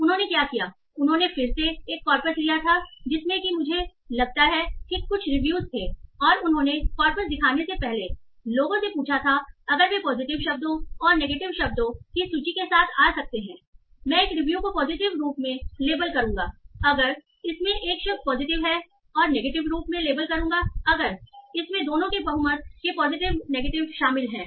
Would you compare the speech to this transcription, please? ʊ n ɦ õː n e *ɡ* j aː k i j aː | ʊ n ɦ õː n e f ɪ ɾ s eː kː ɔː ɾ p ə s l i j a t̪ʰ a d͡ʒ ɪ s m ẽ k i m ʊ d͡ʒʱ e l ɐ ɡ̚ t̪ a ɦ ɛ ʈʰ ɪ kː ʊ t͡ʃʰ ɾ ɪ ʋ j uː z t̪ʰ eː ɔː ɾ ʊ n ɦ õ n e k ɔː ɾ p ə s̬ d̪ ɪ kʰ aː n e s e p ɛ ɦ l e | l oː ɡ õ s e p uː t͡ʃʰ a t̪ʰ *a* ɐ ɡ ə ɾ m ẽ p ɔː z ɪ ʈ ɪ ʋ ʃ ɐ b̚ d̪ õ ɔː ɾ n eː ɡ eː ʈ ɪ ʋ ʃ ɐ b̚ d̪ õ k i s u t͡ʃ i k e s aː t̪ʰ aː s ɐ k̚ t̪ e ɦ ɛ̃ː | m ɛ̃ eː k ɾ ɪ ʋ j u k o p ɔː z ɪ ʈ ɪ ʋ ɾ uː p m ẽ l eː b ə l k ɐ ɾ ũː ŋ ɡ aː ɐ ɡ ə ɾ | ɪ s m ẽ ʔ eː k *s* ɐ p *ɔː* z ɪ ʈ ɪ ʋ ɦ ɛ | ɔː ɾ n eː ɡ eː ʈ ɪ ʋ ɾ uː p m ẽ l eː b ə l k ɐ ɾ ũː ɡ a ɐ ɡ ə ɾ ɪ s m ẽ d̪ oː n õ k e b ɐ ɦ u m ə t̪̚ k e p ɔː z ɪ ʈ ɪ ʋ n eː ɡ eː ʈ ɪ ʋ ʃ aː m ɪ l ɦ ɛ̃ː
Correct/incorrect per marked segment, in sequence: incorrect: k, correct, incorrect: ʃ, correct

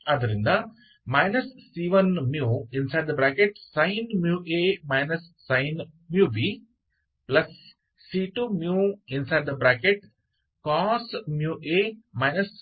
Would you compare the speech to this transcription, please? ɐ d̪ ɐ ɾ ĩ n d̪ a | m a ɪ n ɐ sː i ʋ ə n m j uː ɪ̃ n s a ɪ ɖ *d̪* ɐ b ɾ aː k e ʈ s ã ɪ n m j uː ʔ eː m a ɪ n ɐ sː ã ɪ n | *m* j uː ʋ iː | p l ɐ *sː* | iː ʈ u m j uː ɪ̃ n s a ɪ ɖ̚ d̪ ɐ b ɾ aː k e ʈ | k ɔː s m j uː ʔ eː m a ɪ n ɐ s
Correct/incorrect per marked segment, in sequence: correct, correct, correct

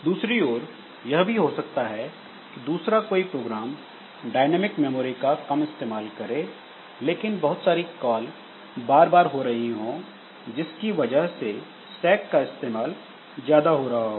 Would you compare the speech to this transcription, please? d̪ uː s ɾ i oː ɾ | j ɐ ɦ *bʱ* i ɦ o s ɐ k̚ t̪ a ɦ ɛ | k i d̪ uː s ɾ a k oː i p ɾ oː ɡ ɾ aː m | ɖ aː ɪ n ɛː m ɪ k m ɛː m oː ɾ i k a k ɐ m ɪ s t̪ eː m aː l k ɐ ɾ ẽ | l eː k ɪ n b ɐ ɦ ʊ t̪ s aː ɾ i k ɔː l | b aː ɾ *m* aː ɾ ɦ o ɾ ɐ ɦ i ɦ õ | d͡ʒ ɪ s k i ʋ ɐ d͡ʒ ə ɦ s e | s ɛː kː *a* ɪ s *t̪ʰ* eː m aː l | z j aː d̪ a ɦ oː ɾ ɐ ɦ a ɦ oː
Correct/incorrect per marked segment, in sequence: correct, incorrect: b, correct, incorrect: t̪

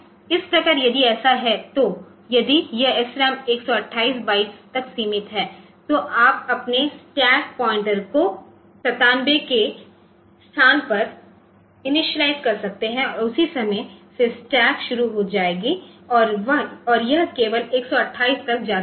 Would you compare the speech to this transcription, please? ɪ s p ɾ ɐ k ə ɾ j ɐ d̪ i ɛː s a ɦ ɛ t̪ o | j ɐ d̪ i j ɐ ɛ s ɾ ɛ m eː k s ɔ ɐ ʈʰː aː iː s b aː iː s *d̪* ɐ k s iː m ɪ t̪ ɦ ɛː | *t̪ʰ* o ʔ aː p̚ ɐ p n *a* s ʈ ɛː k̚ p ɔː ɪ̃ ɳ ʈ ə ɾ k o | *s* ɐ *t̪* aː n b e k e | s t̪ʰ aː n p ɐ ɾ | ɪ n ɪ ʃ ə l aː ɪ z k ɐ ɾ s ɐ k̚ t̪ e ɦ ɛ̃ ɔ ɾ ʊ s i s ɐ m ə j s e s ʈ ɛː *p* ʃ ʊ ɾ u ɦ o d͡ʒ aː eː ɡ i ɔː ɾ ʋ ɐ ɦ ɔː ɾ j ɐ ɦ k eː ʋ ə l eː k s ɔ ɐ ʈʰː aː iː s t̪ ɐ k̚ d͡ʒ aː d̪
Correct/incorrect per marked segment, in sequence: incorrect: t̪, incorrect: t̪, incorrect: e, correct, correct, incorrect: k

